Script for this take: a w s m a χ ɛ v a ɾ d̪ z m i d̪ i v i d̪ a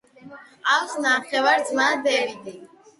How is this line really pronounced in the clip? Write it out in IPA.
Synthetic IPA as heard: a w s n a χ ɛ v a ɾ d̪ z m a d̪ ɛ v i d̪ i

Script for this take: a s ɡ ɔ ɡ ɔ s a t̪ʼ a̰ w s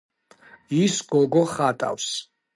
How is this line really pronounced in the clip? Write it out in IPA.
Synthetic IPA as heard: i s ɡ ɔ ɡ ɔ χ a t̪ʼ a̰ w s

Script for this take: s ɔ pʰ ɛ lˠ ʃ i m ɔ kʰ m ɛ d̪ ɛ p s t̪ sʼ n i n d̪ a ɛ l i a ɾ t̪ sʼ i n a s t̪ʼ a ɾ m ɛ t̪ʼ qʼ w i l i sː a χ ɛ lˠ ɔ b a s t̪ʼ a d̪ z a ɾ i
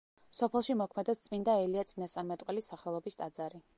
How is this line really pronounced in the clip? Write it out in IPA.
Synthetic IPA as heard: s ɔ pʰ ɛ lˠ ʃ i m ɔ kʰ m ɛ d̪ ɛ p s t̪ sʼ m i n d̪ a ɛ l i a t̪ sʼ i n a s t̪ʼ a ɾ m ɛ t̪ʼ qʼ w ɛ l i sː a χ ɛ lˠ ɔ b i s t̪ʼ a d̪ z a ɾ i

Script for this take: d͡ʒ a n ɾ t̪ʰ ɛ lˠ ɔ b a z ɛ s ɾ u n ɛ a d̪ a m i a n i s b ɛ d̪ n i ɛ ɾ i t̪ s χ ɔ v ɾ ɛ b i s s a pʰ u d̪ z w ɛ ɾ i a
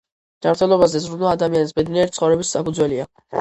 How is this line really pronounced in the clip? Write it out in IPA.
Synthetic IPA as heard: d͡ʒ a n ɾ t̪ʰ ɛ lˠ ɔ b a z ɛ z ɾ u n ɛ a d̪ a m i a n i s b ɛ d̪ n i ɛ ɾ i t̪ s χ ɔ v ɾ ɛ b i s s a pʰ u d̪ z w ɛ l i a

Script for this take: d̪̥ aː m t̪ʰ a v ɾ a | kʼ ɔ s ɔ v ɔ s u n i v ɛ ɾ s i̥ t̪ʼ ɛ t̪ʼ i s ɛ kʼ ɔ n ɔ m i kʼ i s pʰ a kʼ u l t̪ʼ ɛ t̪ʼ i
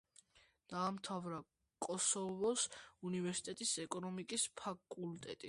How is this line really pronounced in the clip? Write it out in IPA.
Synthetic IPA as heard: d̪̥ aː m t̪ʰ a v ɾ a | kʼ ɔ s ɔ v ɔ s u n i v ɛ ɾ s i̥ t̪ʼ ɛ t̪ʼ i s ɛ kʼ ɔ n ɔ m i kʼ i s pʰ a kʼ u l t̪ʼ ɛ t̪ʼ i

